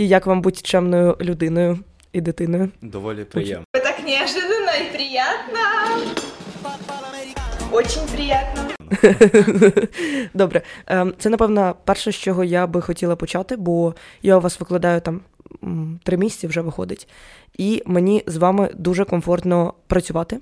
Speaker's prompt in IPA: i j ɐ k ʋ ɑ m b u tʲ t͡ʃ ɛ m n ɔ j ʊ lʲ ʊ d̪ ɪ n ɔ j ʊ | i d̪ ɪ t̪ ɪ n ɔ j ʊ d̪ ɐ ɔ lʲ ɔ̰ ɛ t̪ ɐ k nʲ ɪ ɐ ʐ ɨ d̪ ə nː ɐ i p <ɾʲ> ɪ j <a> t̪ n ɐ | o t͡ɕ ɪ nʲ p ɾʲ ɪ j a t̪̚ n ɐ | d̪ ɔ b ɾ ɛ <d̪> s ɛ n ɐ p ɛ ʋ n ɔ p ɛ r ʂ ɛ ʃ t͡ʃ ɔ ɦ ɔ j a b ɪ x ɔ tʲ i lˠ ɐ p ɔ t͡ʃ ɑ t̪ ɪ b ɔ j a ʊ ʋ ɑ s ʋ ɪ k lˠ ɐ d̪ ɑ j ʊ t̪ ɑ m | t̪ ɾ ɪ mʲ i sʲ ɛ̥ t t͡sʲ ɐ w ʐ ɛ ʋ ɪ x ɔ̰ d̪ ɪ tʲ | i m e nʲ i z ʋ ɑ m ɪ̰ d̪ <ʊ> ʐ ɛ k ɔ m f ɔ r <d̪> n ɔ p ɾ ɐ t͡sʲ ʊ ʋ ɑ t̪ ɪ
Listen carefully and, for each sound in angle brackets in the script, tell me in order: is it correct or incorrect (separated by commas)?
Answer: correct, correct, incorrect, incorrect, incorrect